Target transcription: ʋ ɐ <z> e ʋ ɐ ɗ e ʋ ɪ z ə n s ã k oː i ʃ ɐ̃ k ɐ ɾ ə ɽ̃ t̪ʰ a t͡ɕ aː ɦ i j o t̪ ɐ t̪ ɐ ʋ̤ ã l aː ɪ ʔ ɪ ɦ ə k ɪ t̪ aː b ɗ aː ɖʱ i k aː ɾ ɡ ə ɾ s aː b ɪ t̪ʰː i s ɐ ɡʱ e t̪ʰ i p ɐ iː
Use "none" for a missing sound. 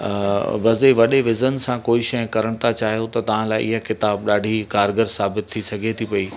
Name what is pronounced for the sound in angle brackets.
z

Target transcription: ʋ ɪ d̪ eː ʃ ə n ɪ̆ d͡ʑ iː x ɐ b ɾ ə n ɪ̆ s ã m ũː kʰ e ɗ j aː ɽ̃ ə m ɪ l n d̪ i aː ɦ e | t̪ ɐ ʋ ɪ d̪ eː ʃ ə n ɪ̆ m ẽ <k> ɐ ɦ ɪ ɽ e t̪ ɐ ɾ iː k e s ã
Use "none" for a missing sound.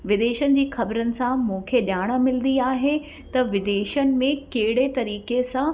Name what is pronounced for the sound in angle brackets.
k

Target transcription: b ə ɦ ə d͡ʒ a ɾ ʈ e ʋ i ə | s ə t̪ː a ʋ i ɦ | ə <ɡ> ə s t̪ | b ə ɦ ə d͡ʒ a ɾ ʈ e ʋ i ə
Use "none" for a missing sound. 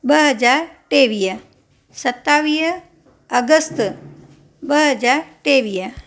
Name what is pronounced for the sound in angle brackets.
ɡ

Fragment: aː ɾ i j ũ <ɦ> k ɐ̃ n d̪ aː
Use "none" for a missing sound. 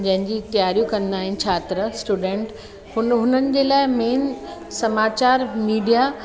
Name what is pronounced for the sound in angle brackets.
none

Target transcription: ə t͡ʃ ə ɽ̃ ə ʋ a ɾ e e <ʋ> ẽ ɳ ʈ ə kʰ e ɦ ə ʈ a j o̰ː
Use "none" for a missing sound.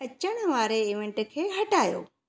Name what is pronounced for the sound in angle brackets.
ʋ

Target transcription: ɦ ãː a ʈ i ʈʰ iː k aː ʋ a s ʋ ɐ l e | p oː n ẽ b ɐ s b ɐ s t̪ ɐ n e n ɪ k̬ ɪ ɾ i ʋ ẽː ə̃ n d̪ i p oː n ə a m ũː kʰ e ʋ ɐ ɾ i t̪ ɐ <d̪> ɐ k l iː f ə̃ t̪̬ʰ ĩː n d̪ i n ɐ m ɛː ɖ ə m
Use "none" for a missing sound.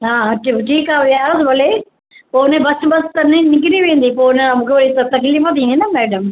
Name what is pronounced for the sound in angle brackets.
t̪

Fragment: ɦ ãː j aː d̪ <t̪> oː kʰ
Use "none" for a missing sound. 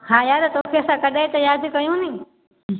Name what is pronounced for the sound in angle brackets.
t̪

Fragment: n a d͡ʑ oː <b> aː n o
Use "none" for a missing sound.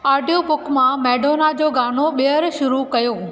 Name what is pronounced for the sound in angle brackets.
ɡ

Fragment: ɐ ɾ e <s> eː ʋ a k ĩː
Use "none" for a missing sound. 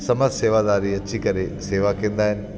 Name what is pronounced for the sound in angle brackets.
s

